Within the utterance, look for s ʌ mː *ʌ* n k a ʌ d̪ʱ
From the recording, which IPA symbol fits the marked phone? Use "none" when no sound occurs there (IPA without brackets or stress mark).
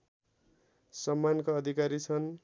a